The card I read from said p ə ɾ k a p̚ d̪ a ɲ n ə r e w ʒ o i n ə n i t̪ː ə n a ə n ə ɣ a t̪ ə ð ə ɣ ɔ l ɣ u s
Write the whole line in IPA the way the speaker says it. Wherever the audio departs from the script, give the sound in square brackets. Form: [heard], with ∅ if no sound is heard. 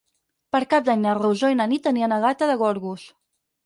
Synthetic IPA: p ə ɾ k a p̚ d̪ a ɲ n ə r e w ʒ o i n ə n i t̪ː ə n [i] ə n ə ɣ a t̪ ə ð ə ɣ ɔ [ɾ] ɣ u s